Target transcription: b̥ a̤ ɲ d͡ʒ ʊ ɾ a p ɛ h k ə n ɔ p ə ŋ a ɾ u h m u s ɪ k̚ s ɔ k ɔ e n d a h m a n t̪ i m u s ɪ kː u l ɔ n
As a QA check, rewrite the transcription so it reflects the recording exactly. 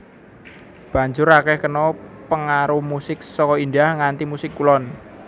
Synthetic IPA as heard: b̥ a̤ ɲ d͡ʒ ʊ ɾ a k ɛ h k ə n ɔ p ə ŋ a ɾ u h m u s ɪ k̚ s ɔ k ɔ i n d a h ŋ a n t̪ i m u s ɪ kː u l ɔ n